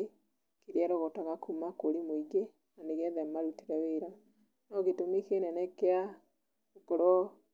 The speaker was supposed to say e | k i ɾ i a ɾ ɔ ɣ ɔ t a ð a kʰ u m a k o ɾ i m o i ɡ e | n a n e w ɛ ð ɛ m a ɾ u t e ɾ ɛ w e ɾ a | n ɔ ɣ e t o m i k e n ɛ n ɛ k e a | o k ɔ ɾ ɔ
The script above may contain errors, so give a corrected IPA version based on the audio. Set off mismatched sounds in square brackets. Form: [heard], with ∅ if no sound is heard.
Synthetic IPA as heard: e | k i ɾ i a ɾ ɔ ɣ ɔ t a [ɣ] a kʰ u m a k o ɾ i m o i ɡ e | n a n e [ɣ] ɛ ð ɛ m a ɾ u t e ɾ ɛ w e ɾ a | n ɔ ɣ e t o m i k e n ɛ n ɛ k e a | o k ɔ ɾ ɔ